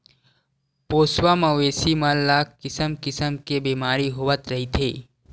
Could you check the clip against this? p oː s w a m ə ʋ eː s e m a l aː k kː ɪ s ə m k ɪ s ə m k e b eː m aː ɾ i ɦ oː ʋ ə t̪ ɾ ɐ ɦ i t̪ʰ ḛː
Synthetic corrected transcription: p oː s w a m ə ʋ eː s i m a l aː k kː ɪ s ə m k ɪ s ə m k e b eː m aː ɾ i ɦ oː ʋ ə t̪ ɾ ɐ ɦ i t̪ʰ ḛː